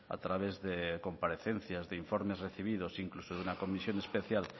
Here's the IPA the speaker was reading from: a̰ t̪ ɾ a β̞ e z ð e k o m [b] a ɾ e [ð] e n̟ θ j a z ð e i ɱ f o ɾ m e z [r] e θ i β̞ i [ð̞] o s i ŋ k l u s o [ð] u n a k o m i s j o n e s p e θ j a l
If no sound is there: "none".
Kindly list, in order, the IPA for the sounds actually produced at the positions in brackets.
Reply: p, θ, r, ð̞, ð

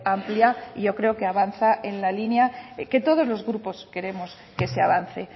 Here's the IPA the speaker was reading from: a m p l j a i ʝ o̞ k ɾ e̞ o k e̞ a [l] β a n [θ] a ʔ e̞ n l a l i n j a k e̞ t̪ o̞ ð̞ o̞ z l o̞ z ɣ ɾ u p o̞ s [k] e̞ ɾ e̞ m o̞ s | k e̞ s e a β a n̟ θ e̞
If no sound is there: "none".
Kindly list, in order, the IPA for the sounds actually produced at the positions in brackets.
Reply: none, θ, k

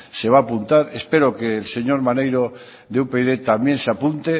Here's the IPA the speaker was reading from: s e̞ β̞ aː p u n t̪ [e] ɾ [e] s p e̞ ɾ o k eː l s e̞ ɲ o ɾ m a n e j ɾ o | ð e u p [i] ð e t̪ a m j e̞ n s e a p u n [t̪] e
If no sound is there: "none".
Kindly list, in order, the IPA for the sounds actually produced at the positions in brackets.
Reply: a, e, e, t̪

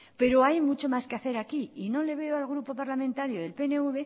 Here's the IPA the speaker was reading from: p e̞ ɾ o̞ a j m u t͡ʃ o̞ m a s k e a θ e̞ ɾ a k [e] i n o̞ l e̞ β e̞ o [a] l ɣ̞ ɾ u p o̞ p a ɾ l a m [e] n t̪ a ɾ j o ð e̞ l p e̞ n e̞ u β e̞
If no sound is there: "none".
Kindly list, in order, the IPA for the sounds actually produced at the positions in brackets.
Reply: i, a, ẽ

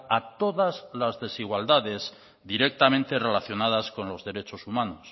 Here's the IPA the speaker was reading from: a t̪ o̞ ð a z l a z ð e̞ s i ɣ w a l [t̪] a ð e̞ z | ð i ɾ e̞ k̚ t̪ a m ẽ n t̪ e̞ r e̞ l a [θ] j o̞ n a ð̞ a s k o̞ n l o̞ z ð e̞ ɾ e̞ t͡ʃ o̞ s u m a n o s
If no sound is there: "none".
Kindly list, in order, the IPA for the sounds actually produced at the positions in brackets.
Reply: d̪, θ

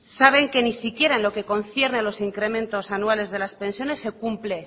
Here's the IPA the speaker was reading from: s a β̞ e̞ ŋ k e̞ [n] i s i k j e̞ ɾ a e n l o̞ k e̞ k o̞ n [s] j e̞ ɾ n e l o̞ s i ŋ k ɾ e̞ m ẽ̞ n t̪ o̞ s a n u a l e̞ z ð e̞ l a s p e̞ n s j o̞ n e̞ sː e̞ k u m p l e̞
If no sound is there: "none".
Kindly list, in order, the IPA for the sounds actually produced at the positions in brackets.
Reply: n, θ

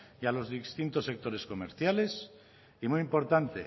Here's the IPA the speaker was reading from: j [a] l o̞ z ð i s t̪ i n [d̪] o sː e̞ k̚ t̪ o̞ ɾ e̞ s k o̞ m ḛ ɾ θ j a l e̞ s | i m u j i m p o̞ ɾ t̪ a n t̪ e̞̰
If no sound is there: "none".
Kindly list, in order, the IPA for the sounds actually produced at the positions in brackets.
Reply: a, t̪

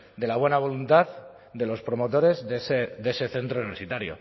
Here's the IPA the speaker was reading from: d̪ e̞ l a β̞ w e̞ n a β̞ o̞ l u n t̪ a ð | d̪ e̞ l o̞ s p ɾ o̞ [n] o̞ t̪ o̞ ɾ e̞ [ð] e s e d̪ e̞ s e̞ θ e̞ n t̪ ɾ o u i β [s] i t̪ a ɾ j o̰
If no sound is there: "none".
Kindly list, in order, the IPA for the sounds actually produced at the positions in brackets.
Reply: m, z, s

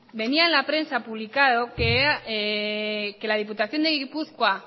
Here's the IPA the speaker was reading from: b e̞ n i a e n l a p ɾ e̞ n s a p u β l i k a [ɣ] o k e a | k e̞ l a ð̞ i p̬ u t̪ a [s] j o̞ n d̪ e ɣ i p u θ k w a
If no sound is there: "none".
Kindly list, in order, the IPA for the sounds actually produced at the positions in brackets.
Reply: ð, θ

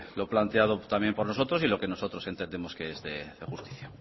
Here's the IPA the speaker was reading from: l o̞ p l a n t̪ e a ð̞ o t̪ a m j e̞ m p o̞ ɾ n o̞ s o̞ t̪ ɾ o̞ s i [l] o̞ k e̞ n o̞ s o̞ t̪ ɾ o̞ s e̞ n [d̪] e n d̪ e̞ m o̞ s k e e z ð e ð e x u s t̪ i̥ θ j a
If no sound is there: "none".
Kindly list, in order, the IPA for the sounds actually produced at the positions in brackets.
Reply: l, t̪

